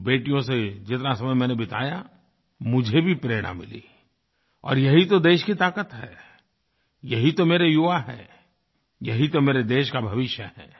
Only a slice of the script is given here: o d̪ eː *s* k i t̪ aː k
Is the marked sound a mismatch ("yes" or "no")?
yes